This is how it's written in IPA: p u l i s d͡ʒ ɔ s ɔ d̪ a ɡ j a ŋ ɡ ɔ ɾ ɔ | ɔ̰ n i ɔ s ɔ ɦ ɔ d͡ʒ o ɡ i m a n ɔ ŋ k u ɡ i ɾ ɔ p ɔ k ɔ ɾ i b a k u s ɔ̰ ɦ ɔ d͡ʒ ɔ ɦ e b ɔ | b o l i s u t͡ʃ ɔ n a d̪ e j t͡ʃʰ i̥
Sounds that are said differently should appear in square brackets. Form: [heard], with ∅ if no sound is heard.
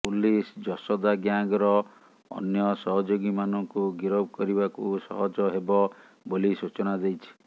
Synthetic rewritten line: p u l i s d͡ʒ ɔ s ɔ d̪ a ɡ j a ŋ ɡ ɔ ɾ ɔ | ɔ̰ n [j] ɔ s ɔ ɦ ɔ d͡ʒ o ɡ i m a n ɔ ŋ k u ɡ i ɾ ɔ [b] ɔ k ɔ ɾ i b a k u s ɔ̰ ɦ ɔ d͡ʒ ɔ ɦ e b ɔ | b o l i s u t͡ʃ ɔ n a d̪ e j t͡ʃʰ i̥

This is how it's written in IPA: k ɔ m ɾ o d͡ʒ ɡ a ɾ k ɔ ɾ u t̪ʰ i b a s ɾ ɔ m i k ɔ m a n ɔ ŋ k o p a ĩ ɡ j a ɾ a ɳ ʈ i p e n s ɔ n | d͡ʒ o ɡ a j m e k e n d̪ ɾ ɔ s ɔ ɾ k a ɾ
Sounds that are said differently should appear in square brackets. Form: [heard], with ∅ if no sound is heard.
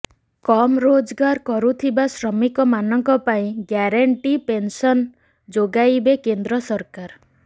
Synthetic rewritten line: k ɔ m ɾ o d͡ʒ ɡ a ɾ k ɔ ɾ u t̪ʰ i b a s ɾ ɔ m i k ɔ m a n ɔ ŋ k [ɔ] p a ĩ ɡ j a ɾ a ɳ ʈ i p e n s ɔ n | d͡ʒ o ɡ a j [b] e k e n d̪ ɾ ɔ s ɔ ɾ k a ɾ

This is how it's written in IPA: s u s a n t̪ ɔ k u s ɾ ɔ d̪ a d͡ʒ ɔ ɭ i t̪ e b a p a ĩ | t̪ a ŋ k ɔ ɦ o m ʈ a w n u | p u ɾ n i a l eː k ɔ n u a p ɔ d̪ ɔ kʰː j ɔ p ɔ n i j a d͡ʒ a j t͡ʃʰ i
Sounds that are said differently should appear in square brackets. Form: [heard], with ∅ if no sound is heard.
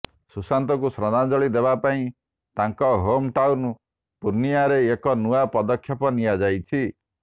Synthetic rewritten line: s u s a n t̪ ɔ k u s ɾ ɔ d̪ a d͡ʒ ɔ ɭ i [d̪] e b a p a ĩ | t̪ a ŋ k ɔ ɦ o m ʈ a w n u | p u ɾ n i a [ɾ] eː k ɔ n u a p ɔ d̪ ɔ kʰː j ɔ p ɔ n i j a d͡ʒ a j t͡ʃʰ i

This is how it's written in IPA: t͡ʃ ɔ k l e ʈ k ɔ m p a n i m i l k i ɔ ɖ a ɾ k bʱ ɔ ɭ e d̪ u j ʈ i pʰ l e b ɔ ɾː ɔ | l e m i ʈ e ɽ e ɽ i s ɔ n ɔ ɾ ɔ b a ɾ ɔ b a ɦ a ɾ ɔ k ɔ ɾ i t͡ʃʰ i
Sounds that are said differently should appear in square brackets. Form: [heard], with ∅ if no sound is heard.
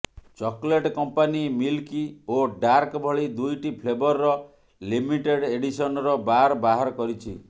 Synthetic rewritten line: t͡ʃ ɔ k l e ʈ k ɔ m p a n i m i l k i [o] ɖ a ɾ k bʱ ɔ ɭ [i] d̪ u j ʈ i pʰ l e b ɔ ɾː ɔ | l [i] m i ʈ e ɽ e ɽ i s ɔ n ɔ ɾ ɔ b a ɾ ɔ b a ɦ a ɾ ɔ k ɔ ɾ i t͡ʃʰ i

